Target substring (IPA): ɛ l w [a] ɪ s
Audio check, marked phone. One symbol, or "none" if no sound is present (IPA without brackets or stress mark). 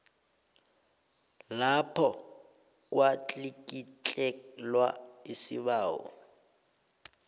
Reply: a